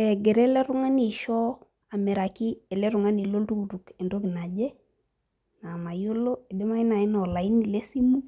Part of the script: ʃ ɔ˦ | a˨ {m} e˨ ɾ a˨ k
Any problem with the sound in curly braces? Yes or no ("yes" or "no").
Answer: no